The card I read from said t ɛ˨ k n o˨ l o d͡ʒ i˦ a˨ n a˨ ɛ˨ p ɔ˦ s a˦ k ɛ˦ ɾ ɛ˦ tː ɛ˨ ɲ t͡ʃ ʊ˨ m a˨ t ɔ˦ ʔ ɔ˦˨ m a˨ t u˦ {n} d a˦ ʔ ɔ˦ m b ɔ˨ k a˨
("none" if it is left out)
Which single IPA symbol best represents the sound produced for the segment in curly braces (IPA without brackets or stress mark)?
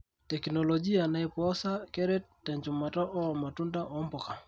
n